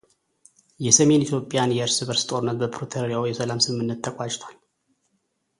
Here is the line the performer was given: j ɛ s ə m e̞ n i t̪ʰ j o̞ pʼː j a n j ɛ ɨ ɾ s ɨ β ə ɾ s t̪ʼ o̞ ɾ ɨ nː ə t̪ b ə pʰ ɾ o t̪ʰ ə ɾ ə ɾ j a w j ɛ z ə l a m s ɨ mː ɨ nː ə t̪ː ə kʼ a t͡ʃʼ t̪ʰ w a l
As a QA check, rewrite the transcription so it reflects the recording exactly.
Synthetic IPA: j ɛ s ə m e̞ n i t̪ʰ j o̞ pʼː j a n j ɛ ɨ ɾ s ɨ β ə ɾ s t̪ʼ o̞ ɾ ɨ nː ə t̪ b ə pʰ ɾ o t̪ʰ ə ɾ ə ɾ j a w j ɛ s ə l a m s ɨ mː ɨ nː ə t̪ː ə kʼ a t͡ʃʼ t̪ʰ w a l